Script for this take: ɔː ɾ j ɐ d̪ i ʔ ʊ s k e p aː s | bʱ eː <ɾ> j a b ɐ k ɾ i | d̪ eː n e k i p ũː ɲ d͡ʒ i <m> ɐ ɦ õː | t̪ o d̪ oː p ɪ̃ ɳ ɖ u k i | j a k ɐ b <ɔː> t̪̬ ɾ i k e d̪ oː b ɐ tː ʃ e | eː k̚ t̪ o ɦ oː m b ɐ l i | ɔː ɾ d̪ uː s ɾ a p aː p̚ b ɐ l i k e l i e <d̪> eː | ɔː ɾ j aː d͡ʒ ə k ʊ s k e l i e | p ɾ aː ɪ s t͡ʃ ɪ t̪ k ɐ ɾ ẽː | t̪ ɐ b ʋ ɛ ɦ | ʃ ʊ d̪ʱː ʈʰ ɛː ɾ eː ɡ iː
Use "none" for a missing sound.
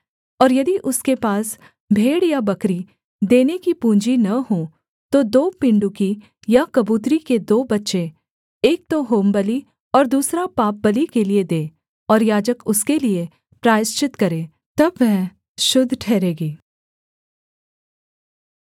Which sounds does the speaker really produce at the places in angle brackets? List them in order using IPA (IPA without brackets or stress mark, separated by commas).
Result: ɽ, n, uː, d̪